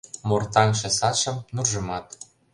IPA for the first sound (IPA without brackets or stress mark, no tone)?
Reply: m